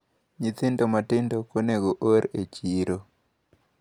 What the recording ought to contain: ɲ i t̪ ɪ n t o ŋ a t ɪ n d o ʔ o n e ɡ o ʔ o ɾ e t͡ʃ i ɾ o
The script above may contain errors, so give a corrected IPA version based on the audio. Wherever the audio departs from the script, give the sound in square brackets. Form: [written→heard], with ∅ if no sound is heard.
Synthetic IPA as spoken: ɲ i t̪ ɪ n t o [ŋ→m] a t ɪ n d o [ʔ→k] o n e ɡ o ʔ o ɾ e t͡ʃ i ɾ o